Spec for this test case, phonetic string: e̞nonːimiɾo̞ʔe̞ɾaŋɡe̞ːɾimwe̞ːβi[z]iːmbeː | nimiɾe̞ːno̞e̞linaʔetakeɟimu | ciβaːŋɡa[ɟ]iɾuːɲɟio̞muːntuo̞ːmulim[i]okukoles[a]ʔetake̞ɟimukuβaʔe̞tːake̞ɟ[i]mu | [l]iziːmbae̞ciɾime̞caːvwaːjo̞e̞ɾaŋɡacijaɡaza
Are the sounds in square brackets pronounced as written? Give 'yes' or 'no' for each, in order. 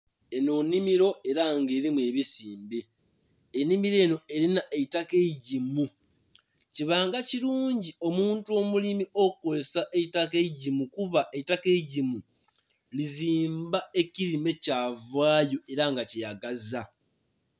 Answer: no, no, yes, yes, yes, yes

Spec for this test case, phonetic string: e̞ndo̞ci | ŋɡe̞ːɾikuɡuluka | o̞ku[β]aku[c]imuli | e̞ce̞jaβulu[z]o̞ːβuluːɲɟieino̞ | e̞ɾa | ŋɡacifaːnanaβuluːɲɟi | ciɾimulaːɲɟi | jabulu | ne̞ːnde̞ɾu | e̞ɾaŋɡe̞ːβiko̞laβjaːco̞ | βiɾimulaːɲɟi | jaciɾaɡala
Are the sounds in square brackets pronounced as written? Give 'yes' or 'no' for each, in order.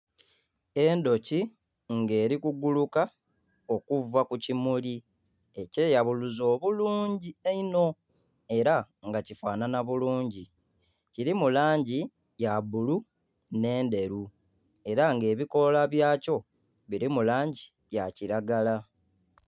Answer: no, yes, yes

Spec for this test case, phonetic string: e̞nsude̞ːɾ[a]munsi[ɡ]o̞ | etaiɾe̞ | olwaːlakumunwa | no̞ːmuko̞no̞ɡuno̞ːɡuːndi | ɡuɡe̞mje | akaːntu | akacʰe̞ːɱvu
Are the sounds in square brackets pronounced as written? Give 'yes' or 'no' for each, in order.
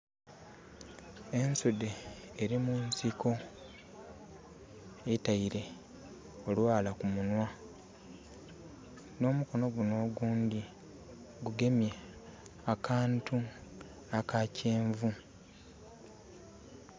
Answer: no, no

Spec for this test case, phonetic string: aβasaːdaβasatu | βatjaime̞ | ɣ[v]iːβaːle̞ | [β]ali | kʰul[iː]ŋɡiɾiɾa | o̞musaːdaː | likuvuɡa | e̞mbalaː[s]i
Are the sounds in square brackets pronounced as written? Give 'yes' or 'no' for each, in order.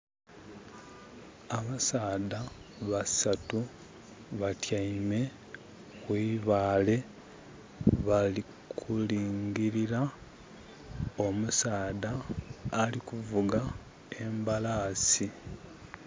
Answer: no, yes, yes, yes

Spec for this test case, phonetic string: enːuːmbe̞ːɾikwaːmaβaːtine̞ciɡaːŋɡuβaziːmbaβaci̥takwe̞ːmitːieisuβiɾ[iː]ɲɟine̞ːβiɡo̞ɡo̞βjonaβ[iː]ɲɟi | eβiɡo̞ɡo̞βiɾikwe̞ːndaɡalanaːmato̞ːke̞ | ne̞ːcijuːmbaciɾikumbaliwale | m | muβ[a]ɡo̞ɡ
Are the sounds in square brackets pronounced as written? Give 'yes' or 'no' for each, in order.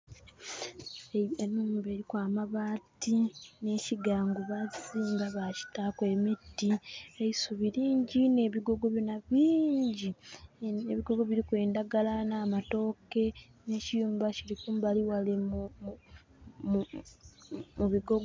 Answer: yes, yes, no

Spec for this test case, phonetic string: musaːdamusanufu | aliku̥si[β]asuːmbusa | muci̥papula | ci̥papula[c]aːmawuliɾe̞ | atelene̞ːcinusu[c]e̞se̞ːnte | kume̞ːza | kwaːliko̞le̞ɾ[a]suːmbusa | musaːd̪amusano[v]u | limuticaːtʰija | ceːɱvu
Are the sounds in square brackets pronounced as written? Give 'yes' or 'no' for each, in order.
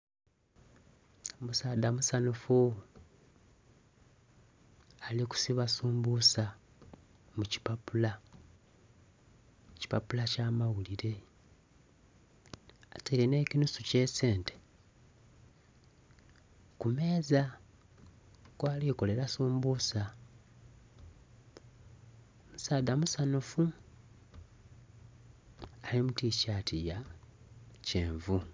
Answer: yes, yes, yes, yes, no

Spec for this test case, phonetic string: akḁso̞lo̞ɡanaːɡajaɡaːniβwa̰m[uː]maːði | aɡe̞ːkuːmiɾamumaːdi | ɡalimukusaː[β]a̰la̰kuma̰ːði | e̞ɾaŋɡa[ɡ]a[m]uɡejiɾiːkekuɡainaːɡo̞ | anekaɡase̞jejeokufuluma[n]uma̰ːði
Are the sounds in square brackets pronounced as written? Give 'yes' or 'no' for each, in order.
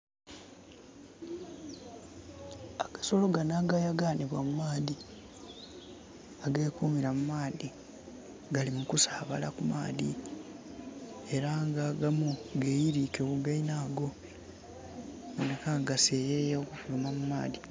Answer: no, yes, yes, yes, no

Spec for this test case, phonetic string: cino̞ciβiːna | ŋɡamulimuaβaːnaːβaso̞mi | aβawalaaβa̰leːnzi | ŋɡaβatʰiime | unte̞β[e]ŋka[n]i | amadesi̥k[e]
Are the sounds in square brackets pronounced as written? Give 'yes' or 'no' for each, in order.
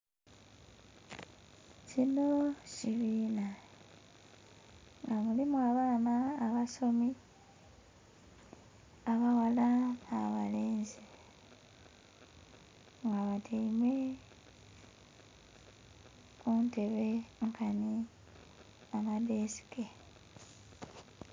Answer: yes, yes, yes

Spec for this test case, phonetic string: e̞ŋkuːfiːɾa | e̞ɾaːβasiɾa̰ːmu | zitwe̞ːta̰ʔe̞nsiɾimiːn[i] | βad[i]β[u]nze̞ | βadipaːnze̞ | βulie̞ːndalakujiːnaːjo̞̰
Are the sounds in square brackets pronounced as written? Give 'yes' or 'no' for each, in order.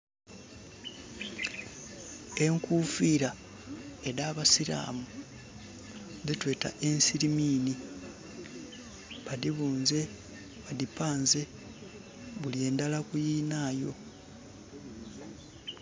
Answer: yes, yes, no

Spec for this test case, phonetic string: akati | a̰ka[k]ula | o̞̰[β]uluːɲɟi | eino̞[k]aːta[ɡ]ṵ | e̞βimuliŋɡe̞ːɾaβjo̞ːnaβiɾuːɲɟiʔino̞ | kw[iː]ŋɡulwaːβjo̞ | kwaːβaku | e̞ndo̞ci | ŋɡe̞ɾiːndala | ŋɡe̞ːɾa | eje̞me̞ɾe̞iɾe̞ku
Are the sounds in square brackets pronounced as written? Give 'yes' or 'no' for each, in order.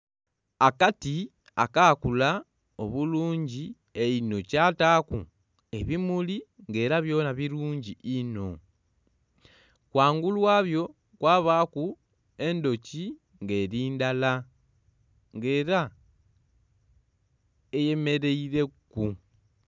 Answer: yes, yes, no, no, no

